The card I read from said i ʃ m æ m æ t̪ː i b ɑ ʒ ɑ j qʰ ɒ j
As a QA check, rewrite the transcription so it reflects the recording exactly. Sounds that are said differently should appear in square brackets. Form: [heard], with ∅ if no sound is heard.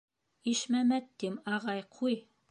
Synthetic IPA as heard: i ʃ m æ m æ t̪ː i [m] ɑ [ʁ] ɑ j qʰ [u] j